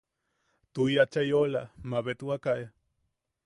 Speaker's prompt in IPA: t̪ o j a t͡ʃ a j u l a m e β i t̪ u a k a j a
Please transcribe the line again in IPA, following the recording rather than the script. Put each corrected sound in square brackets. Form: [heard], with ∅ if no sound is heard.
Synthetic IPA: t̪ [u] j a t͡ʃ a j [o] l a m [a] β [e] t̪ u a k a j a